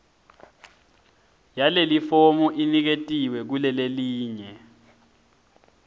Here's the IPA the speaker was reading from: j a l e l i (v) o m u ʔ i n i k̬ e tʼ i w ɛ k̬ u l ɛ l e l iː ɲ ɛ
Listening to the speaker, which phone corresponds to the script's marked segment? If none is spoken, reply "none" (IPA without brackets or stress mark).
f